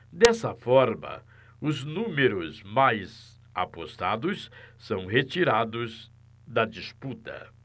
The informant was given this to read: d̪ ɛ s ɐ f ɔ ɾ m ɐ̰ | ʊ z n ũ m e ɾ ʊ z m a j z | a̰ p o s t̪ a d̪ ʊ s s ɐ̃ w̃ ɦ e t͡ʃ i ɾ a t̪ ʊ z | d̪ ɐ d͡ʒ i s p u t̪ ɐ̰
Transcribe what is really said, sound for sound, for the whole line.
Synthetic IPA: d̪ ɛ s ɐ f ɔ ɾ m ɐ̰ | ʊ z n ũ m e ɾ ʊ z m a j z | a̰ p o s t̪ a d̪ ʊ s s ɐ̃ w̃ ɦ e t͡ʃ i ɾ a d̪ ʊ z | d̪ ɐ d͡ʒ i s p u t̪ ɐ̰